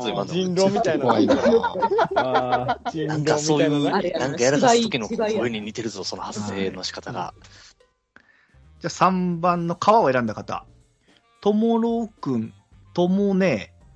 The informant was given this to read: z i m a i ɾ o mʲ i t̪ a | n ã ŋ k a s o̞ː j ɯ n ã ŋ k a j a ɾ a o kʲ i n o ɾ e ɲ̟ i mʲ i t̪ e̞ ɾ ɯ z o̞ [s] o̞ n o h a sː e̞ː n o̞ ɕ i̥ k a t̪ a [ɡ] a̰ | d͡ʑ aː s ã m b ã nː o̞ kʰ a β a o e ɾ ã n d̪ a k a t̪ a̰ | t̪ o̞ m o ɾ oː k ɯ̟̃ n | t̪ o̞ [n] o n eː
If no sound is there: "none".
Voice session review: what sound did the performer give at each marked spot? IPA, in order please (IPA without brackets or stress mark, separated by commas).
s, ɡ, m